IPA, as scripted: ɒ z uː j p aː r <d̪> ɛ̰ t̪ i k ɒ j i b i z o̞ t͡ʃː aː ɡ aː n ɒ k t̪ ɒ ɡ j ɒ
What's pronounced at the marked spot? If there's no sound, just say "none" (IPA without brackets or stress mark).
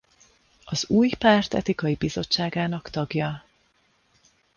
t̪